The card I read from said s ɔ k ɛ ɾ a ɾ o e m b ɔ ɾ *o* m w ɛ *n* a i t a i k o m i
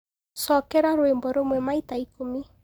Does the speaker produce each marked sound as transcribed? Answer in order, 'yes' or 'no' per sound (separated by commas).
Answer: yes, no